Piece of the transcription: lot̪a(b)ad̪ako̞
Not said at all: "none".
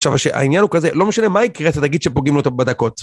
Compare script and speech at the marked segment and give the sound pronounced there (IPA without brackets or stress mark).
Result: b